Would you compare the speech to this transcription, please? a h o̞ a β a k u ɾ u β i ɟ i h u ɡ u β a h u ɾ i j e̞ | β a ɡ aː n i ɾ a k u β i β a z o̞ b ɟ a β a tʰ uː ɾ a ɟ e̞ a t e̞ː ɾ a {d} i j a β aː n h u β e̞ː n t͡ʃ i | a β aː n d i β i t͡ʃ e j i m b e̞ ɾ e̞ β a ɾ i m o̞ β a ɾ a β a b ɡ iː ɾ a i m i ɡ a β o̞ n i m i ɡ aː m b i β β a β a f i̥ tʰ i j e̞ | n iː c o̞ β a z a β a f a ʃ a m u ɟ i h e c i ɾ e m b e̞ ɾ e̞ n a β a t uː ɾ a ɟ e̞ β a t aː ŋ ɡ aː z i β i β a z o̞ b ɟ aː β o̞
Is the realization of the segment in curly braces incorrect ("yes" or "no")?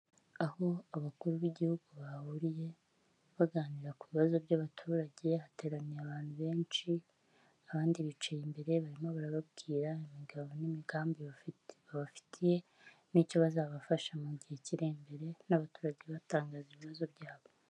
yes